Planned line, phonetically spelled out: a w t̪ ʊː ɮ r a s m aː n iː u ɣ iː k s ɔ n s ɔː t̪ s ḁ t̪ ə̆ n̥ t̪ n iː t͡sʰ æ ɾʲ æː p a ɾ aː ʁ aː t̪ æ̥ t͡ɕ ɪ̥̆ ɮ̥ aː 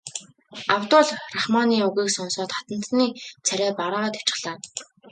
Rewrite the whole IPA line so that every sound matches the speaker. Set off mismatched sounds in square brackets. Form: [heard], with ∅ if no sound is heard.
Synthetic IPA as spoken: a w t̪ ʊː ɮ r a [χ] m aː n iː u ɣ iː k s ɔ n s ɔː t̪ [χ] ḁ t̪ ə̆ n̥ t̪ n iː t͡sʰ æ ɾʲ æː p a ɾ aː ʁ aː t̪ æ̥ t͡ɕ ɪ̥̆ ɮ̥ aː